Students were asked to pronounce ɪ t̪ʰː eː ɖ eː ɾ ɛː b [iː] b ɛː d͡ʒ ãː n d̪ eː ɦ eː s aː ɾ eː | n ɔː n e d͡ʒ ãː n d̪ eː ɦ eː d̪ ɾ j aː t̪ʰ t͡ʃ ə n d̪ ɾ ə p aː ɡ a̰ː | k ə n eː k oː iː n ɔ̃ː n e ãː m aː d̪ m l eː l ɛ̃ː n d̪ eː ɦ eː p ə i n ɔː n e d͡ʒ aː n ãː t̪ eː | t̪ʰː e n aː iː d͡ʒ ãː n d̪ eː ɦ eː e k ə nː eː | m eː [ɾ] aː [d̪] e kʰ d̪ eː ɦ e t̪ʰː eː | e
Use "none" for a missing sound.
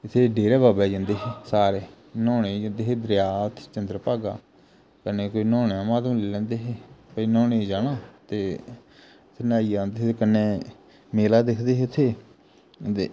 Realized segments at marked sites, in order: aː, l, d̪

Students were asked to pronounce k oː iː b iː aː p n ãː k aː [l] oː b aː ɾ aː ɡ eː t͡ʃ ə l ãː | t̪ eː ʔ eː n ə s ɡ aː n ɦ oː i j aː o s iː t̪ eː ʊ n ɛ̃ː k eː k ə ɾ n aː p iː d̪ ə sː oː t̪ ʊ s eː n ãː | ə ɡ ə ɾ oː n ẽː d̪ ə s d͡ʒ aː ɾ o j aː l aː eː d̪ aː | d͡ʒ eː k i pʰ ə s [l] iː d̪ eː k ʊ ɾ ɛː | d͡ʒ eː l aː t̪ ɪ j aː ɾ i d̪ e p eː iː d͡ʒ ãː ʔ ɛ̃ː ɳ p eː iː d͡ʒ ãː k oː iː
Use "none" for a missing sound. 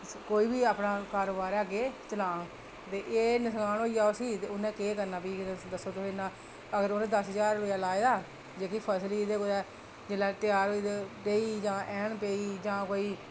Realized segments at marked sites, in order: ɾ, l

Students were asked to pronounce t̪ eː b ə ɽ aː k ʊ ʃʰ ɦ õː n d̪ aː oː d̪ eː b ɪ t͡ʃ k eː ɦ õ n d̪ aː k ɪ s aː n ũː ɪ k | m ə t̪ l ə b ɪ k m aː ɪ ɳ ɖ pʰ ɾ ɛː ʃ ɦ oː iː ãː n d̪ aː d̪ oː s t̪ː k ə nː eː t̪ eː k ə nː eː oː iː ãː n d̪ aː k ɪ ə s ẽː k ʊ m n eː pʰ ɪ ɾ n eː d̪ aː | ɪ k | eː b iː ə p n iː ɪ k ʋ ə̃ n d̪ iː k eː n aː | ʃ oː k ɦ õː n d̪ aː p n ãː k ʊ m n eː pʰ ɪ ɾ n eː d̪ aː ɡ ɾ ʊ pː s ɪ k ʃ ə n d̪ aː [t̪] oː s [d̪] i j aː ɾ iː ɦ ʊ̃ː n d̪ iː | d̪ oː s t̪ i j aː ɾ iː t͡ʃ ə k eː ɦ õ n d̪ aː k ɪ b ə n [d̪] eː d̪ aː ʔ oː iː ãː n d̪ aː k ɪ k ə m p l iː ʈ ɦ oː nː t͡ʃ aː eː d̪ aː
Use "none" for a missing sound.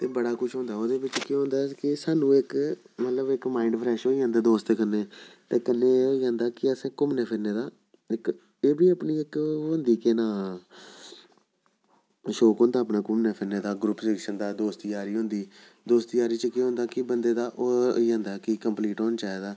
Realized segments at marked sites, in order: d̪, t̪, d̪

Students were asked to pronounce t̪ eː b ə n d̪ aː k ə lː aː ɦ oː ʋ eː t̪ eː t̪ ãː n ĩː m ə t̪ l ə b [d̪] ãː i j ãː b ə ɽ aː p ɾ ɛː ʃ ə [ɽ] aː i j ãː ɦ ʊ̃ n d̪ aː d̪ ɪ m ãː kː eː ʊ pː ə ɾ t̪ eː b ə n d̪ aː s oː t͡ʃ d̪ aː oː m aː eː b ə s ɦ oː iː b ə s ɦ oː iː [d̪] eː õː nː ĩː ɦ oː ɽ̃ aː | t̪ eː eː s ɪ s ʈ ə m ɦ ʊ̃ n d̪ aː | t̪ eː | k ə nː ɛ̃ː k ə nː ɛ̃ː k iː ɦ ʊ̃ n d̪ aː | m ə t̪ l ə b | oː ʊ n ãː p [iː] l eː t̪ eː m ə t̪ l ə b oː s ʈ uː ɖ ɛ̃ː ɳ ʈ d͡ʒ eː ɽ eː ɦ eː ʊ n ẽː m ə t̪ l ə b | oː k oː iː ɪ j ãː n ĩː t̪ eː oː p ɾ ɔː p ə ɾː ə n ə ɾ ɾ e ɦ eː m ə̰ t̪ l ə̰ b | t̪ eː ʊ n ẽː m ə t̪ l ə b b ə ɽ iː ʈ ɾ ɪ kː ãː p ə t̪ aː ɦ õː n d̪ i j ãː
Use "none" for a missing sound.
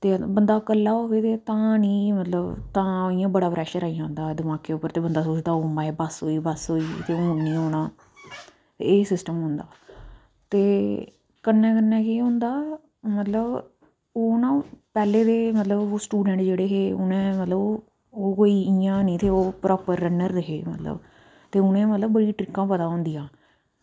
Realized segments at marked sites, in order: t̪, ɾ, t̪, ɛː

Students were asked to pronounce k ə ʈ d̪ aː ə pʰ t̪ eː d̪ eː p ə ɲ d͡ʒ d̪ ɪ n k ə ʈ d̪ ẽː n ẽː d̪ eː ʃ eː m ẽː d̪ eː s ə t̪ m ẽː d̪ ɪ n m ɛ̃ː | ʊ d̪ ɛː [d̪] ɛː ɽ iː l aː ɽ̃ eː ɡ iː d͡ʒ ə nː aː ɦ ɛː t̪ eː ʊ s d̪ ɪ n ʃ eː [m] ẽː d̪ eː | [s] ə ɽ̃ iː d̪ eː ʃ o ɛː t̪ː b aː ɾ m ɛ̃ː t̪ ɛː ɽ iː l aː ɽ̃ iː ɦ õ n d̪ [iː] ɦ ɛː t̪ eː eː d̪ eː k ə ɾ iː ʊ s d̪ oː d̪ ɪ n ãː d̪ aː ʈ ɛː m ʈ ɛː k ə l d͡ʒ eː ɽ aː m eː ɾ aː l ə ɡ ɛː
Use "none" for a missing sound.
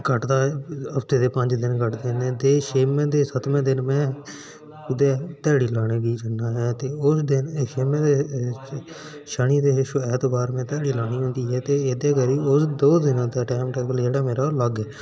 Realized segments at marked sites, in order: t̪, m, ʃ, iː

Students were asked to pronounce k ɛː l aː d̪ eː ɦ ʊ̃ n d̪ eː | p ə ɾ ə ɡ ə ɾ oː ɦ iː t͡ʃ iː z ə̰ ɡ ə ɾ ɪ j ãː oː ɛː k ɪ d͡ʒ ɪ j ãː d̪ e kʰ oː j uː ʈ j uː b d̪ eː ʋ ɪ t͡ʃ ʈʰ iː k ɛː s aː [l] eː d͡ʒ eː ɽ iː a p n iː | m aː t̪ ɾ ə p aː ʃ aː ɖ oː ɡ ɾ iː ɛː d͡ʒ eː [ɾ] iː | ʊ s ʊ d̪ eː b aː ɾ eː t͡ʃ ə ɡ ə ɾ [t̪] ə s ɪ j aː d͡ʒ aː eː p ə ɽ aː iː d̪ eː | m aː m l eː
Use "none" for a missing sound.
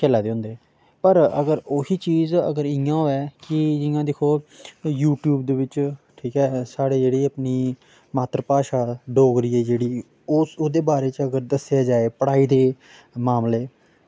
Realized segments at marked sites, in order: ɽ, ɽ, d̪

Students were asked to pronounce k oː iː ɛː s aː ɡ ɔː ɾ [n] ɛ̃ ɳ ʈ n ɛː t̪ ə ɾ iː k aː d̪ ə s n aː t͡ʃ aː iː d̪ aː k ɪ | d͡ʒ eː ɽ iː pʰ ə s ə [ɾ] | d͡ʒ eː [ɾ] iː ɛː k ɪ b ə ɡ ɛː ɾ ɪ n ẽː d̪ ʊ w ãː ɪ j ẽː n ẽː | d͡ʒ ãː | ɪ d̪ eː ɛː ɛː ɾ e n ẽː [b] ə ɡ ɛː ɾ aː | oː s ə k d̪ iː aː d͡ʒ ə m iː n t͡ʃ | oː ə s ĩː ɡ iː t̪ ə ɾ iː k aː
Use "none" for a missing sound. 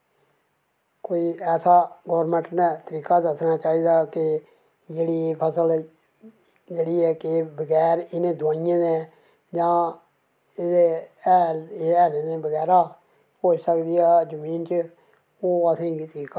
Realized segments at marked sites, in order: m, l, ɽ, b

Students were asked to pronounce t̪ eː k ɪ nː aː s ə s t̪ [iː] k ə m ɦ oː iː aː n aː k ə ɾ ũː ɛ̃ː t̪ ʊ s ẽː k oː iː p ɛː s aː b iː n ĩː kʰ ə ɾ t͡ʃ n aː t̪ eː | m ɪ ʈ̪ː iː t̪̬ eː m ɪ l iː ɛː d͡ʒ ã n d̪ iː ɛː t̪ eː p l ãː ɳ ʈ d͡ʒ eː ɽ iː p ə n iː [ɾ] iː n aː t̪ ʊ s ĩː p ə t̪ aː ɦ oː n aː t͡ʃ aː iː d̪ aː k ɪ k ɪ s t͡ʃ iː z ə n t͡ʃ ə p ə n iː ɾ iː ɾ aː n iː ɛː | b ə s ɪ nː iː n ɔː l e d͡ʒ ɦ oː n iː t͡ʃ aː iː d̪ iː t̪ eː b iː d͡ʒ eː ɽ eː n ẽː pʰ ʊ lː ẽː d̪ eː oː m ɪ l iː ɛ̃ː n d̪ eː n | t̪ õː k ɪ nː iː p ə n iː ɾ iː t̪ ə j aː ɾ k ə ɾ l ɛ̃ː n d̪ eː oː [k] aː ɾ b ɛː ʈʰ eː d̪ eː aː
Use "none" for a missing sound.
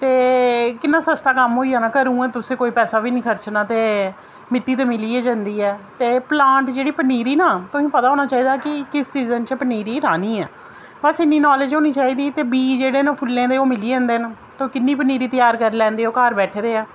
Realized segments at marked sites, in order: aː, ɾ, k

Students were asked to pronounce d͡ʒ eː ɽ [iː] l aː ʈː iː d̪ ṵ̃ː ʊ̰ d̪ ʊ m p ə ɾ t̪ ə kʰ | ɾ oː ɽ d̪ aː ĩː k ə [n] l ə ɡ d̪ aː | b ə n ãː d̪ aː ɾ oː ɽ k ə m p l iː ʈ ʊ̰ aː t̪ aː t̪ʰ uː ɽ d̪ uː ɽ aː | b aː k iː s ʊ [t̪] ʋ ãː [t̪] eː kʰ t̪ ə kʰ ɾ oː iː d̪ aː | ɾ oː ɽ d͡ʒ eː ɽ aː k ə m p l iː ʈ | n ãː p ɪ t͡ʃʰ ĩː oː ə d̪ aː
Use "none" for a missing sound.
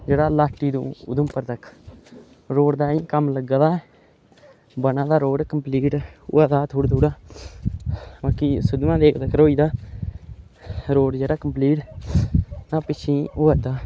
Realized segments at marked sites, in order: aː, m, d̪, d̪

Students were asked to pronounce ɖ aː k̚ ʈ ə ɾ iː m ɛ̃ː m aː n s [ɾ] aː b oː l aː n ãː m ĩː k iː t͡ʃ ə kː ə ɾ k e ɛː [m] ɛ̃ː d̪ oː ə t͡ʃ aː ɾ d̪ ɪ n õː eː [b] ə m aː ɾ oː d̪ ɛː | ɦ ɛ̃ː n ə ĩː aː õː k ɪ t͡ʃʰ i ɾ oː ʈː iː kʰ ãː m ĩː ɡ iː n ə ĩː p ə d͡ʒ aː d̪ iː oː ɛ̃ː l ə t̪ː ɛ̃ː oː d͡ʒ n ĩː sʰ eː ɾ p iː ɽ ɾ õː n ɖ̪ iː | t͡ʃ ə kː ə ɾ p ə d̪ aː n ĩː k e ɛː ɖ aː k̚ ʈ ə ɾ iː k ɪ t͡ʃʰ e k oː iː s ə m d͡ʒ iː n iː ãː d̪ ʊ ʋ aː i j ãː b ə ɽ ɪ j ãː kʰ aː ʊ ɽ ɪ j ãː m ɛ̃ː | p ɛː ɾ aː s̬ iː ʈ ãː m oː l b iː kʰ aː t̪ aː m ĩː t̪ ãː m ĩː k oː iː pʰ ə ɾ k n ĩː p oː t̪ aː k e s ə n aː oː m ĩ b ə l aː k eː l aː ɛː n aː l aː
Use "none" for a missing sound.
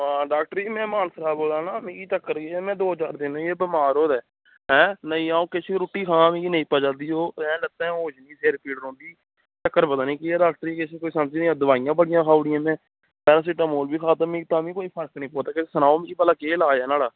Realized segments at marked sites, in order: ɾ, m, b

